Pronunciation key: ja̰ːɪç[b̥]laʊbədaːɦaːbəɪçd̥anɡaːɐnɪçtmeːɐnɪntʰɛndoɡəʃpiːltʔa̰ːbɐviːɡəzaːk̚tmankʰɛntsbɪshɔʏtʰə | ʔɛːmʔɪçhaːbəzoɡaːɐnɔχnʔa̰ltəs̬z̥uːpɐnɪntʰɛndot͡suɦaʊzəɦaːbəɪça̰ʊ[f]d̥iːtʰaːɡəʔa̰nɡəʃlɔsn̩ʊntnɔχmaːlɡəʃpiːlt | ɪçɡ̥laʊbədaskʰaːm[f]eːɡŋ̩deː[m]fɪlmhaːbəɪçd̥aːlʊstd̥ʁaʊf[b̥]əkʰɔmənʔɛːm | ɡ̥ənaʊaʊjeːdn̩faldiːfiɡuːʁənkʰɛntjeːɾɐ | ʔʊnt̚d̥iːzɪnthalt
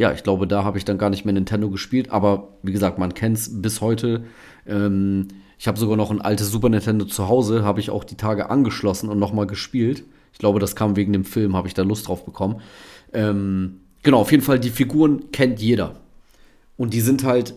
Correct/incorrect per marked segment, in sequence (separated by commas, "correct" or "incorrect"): incorrect, incorrect, incorrect, correct, correct